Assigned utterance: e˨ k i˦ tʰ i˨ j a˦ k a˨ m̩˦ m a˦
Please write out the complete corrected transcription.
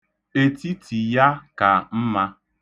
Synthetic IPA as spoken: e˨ t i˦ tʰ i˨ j a˦ k a˨ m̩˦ m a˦